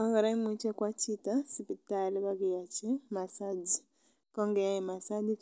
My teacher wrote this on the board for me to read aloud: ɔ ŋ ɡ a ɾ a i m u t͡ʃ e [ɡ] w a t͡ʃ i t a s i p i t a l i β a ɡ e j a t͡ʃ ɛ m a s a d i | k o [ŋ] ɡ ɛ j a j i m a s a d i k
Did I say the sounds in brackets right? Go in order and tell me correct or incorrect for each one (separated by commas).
incorrect, correct